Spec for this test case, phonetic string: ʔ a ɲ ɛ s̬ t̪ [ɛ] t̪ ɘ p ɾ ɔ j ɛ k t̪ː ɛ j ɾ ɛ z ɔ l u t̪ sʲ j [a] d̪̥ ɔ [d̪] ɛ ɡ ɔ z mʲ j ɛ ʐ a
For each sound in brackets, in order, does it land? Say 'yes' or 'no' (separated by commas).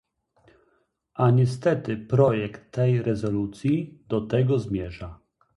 yes, no, no